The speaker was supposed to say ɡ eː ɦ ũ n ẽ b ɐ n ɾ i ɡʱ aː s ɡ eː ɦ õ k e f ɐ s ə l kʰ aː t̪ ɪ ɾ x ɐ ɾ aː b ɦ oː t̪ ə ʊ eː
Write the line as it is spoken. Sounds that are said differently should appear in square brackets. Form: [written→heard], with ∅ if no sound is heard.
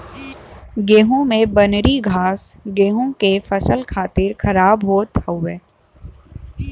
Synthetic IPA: ɡ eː ɦ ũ [n→m] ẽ b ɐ n ɾ i ɡʱ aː s ɡ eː ɦ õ k e f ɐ s ə l kʰ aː t̪ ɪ ɾ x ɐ ɾ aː b ɦ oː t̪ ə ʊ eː